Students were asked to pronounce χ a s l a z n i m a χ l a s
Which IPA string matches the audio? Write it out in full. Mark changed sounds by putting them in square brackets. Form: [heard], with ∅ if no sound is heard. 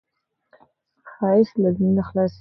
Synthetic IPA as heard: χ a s l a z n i [n] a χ l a s